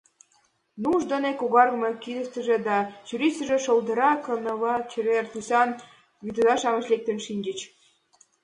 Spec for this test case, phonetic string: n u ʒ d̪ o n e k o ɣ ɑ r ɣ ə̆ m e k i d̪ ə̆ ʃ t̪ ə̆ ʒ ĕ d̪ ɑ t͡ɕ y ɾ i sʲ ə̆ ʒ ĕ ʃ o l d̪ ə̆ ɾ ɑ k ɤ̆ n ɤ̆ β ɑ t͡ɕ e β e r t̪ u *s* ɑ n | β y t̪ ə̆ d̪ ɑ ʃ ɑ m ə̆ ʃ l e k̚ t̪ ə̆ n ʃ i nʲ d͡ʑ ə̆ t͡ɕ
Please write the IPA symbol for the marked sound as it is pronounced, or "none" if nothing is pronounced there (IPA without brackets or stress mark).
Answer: s